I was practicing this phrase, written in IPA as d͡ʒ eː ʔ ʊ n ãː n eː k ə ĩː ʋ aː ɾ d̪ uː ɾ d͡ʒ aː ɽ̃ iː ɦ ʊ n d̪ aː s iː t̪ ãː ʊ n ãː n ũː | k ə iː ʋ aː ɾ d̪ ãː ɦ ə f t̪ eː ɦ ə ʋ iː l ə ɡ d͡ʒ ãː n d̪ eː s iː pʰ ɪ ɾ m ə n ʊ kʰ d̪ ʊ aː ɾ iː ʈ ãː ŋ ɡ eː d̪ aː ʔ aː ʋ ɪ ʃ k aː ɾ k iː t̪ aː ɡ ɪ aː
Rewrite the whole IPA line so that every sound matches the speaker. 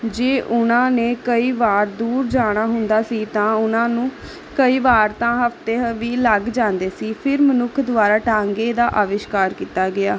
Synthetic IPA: d͡ʒ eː ʔ ʊ n ãː n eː k ə iː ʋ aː ɾ d̪ uː ɾ d͡ʒ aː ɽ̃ aː ɦ ʊ n d̪ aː s iː t̪ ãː ʊ n ãː n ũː | k ə iː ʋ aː ɾ t̪ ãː ɦ ə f t̪ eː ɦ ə ʋ iː l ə ɡ d͡ʒ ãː n d̪ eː s iː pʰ ɪ ɾ m ə n ʊ kʰ d̪ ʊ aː ɾ aː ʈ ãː ŋ ɡ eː d̪ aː ʔ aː ʋ ɪ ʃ k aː ɾ k iː t̪ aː ɡ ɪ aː